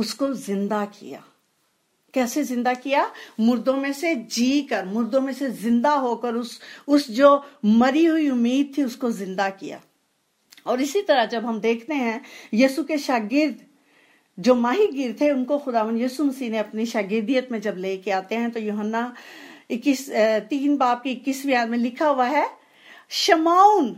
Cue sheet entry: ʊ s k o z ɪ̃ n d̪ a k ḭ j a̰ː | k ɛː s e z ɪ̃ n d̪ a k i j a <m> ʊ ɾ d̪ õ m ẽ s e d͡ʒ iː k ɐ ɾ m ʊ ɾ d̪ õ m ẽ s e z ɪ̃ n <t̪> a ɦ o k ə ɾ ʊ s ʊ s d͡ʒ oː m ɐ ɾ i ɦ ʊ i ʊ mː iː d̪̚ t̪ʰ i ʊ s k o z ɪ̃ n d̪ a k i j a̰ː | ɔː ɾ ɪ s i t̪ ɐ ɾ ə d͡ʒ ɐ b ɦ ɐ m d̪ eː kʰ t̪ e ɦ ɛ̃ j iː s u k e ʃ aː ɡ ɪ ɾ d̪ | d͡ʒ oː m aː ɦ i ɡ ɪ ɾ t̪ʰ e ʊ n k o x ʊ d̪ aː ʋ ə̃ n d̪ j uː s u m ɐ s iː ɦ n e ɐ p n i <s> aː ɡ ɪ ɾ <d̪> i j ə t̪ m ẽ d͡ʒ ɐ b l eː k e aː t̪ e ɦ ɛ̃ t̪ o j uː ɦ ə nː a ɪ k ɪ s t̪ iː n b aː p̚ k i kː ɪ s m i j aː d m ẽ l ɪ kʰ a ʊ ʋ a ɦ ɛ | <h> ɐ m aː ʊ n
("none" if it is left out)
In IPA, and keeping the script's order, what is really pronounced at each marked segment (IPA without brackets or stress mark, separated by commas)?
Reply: m, d̪, ʃ, d̪, ʃ